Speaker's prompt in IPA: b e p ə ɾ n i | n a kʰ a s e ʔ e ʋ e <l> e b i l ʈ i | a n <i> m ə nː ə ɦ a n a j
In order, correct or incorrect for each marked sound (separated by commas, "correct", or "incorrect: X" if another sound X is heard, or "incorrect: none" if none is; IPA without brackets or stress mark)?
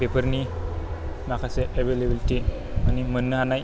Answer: correct, correct